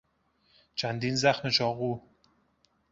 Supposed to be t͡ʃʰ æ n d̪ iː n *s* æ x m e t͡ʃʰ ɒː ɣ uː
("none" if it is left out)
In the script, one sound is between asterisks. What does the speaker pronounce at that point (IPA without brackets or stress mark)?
z